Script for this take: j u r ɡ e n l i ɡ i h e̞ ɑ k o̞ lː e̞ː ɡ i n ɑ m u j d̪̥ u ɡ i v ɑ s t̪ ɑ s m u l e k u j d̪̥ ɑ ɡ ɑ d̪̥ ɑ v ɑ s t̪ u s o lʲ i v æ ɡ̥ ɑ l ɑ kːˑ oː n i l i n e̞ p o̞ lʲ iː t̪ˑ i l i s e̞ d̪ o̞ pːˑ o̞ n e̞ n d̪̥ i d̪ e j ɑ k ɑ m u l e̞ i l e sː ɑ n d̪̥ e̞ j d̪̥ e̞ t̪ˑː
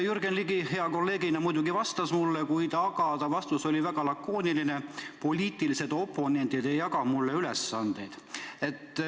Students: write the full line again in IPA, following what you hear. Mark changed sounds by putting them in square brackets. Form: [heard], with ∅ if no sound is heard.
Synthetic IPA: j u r ɡ e n l i ɡ i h e̞ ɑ k o̞ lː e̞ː ɡ i n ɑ m u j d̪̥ u ɡ i v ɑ s t̪ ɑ s m u [lː] e k u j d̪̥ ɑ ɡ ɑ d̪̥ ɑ v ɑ s t̪ u s o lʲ i v æ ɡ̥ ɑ l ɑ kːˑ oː n i l i n e̞ p o̞ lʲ iː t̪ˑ i l i s e̞ d̪ o̞ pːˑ o̞ n e̞ n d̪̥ i d̪ e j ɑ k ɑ m u [lː] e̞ [y] l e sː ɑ n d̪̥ e̞ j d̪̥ e̞ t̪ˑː